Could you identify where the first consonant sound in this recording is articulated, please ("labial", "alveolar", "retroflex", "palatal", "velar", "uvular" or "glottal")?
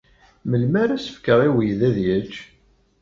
labial